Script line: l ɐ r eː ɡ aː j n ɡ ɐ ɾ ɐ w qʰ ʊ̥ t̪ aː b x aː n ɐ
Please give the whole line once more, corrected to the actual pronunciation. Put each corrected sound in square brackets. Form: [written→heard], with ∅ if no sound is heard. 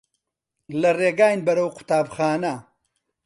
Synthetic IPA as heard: l ɐ r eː ɡ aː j n [ɡ→b] ɐ ɾ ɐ w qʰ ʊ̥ t̪ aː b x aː n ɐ